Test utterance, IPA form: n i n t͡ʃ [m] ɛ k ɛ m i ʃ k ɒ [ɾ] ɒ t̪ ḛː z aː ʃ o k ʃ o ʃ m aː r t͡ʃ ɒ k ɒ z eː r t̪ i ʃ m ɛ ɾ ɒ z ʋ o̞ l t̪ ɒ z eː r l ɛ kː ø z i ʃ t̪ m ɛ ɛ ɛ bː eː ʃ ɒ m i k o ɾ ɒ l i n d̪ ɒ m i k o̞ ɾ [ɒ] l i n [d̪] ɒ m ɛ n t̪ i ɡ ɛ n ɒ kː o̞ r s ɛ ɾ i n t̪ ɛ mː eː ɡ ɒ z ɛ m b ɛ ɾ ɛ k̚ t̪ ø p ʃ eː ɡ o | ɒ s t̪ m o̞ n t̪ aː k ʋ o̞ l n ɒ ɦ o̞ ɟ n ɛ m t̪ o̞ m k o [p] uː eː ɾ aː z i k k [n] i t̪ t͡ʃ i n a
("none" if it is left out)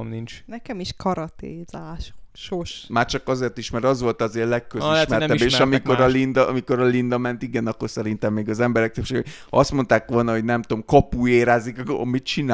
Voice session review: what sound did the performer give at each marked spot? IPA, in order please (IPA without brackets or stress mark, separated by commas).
n, ɾ, ɒ, d̪, p, m